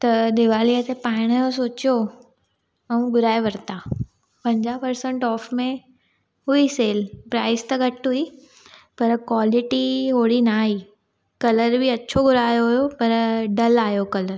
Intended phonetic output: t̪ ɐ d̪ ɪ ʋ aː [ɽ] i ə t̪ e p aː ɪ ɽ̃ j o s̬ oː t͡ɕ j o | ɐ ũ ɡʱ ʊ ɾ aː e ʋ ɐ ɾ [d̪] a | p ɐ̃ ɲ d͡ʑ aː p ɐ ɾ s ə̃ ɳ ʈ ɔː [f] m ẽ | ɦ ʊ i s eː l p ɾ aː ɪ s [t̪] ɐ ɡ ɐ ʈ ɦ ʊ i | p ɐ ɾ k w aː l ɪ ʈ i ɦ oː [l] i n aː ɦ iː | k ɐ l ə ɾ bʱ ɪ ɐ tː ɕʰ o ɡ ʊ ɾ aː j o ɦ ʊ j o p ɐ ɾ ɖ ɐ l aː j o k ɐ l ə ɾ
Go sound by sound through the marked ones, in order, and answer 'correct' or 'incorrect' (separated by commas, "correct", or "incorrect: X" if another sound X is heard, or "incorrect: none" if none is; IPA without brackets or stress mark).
incorrect: l, incorrect: t̪, correct, correct, incorrect: ɽ